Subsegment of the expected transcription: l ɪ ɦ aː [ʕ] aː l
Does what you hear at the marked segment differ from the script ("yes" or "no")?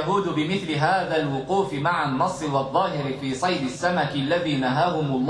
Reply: yes